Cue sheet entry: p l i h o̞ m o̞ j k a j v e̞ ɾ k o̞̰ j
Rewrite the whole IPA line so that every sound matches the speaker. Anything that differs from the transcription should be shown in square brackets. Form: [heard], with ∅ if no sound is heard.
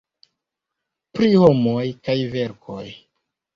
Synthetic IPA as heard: p [ɾ] i h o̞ m o̞ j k a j v e̞ ɾ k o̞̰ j